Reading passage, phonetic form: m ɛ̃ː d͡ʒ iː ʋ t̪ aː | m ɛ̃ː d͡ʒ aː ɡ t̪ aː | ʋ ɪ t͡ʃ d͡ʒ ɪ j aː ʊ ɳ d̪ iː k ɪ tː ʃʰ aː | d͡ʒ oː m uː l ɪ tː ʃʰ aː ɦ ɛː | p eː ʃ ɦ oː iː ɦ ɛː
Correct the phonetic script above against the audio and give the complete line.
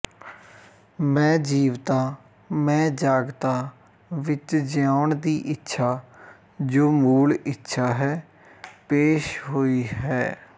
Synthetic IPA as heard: m ɛ̃ː d͡ʒ iː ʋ t̪ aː | m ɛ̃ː d͡ʒ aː ɡ t̪ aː | ʋ ɪ t͡ʃ d͡ʒ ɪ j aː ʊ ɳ d̪ iː ʔ ɪ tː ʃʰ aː | d͡ʒ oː m uː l ɪ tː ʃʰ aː ɦ ɛː | p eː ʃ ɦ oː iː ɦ ɛː